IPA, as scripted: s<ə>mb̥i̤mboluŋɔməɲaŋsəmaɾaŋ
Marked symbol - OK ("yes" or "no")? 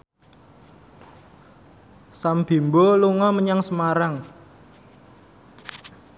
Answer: no